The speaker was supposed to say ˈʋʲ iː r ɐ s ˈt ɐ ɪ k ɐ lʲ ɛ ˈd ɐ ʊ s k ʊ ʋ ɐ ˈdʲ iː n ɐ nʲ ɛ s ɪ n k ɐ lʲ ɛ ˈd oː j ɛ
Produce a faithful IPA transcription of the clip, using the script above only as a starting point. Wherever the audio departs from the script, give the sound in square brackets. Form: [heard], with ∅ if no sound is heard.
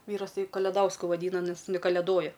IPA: ˈʋʲ iː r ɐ s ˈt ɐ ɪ k ɐ lʲ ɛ ˈd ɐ ʊ s k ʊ ʋ ɐ ˈdʲ iː n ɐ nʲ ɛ s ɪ n k ɐ lʲ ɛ ˈd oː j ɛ